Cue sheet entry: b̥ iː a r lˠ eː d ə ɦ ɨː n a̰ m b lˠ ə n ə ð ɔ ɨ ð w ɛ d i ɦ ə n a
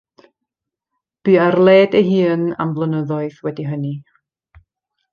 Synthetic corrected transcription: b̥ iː a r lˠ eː d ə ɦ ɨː n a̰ m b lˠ ə n ə ð ɔ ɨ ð w ɛ d i ɦ ə n i